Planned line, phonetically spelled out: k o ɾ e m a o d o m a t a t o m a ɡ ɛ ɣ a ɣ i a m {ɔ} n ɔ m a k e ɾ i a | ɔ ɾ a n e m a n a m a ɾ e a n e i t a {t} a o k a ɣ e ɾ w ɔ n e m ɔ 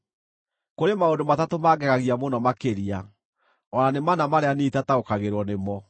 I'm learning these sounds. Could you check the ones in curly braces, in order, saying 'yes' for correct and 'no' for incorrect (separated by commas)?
no, yes